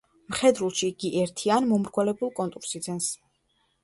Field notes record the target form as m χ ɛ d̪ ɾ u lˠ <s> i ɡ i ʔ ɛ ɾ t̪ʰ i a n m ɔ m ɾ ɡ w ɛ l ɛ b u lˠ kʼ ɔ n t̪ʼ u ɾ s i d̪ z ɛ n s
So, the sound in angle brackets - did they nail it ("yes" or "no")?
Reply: no